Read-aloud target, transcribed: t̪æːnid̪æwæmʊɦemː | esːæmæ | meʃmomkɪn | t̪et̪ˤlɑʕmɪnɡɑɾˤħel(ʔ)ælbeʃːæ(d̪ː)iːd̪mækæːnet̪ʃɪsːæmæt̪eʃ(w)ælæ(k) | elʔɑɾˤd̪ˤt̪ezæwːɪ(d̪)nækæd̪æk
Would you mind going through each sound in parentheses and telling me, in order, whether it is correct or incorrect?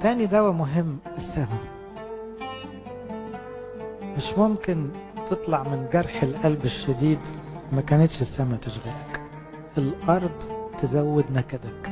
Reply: correct, incorrect: d̪, incorrect: ɣ, correct, correct

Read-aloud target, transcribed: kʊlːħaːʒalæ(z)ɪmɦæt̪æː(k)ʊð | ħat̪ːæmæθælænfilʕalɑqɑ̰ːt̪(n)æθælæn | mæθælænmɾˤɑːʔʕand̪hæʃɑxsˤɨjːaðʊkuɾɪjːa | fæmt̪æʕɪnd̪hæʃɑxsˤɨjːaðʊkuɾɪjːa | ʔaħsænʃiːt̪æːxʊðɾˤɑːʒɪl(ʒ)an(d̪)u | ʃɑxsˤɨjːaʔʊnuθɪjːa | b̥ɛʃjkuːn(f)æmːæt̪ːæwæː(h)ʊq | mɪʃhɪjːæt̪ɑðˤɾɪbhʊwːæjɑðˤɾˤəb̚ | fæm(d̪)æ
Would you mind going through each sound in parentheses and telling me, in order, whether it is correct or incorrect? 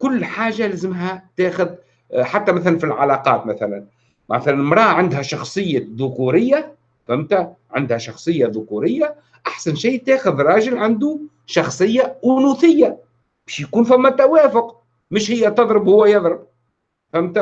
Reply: correct, incorrect: x, incorrect: m, incorrect: ʕ, correct, correct, incorrect: f, incorrect: t̪

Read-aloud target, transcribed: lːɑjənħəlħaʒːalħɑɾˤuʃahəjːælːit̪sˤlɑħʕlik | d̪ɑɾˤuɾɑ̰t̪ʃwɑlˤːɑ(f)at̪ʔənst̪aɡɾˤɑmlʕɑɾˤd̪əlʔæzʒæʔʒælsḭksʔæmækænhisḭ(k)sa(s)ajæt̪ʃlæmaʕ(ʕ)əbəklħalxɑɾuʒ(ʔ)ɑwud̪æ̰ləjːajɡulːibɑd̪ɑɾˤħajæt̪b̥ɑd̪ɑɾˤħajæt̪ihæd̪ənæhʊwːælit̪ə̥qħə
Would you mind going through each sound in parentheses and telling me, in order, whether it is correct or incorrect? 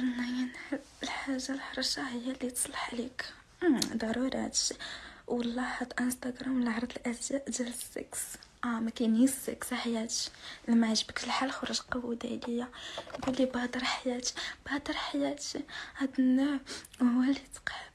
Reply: incorrect: ħ, correct, incorrect: ħ, incorrect: ʒ, incorrect: q

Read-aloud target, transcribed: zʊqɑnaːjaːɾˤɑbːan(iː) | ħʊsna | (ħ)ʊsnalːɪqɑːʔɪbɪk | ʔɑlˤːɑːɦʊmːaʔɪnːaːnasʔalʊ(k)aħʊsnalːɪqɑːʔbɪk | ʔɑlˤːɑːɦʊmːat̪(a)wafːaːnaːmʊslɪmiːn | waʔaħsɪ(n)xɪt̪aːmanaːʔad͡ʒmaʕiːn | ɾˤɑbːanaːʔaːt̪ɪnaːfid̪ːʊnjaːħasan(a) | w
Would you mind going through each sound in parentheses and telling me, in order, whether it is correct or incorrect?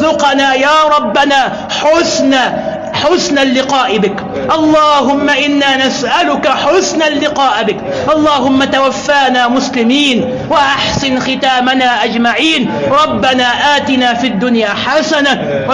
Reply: incorrect: aː, correct, correct, correct, correct, correct

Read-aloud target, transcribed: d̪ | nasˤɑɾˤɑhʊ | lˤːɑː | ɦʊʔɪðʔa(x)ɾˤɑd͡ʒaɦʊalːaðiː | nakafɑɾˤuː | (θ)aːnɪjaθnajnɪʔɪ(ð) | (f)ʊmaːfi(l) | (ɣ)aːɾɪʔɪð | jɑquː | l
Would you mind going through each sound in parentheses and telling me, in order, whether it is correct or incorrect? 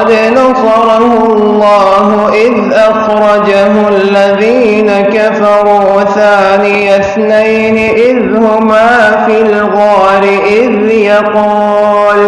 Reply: correct, correct, correct, incorrect: h, correct, correct

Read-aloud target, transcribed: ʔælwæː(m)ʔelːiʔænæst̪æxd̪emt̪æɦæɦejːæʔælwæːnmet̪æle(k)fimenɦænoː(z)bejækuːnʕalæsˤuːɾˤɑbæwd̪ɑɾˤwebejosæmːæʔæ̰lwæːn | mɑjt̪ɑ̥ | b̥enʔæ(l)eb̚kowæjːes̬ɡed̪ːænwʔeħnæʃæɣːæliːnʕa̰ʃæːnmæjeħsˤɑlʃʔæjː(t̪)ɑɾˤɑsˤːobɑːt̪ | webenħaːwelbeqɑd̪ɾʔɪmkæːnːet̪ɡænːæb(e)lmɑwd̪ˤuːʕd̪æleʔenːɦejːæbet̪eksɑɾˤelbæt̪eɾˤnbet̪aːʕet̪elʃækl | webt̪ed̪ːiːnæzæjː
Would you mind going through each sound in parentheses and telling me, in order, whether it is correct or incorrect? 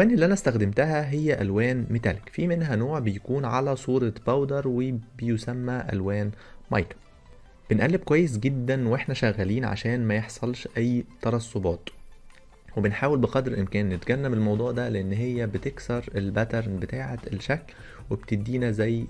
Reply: incorrect: n, correct, incorrect: ʕ, incorrect: lː, correct, correct

